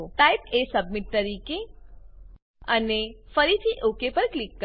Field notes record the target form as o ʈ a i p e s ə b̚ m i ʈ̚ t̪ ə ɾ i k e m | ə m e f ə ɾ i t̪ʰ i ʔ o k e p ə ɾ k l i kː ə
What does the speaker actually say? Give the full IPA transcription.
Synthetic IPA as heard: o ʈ a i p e s ə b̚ m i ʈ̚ t̪ ə ɾ i k e | ə n e f ə ɾ i t̪ʰ i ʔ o k e p ə ɾ k l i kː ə